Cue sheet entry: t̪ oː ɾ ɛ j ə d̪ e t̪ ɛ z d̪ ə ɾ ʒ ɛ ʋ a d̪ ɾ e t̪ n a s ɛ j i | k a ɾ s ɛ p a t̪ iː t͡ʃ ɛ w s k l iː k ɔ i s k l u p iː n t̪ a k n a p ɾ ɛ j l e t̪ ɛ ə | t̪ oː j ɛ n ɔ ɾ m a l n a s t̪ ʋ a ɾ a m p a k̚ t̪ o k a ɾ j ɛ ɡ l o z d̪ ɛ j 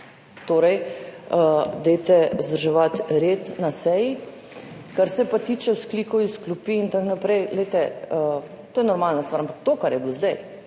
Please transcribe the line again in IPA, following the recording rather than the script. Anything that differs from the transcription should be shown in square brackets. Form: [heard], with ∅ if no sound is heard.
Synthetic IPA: t̪ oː ɾ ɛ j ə d̪ e t̪ ɛ z d̪ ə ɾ ʒ ɛ ʋ a [t̪] ɾ e t̪ n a s ɛ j i | k a ɾ s ɛ p a t̪ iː t͡ʃ ɛ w s k l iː k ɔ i s k l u p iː n t̪ a k n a p ɾ ɛ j l e t̪ ɛ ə | t̪ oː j ɛ n ɔ ɾ m a l n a s t̪ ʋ a ɾ a m p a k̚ t̪ o k a ɾ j ɛ [b] l o z d̪ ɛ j